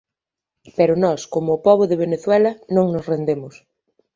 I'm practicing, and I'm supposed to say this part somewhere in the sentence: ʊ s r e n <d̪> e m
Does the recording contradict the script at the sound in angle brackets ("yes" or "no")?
no